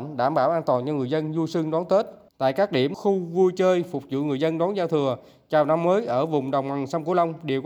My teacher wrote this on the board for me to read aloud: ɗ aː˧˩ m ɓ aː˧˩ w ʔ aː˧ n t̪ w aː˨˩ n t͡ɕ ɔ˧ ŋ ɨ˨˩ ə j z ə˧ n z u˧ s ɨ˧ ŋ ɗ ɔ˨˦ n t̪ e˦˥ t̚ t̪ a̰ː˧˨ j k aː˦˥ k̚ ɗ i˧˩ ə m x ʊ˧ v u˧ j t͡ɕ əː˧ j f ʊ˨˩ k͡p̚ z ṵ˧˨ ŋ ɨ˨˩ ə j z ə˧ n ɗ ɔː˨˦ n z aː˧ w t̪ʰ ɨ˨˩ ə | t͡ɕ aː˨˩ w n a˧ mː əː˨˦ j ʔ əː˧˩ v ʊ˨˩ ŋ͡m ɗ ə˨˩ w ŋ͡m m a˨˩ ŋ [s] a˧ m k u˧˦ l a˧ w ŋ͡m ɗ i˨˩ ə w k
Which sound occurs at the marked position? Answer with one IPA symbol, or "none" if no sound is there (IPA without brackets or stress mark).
s